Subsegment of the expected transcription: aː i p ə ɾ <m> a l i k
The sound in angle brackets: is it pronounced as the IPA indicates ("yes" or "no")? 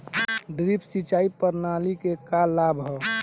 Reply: no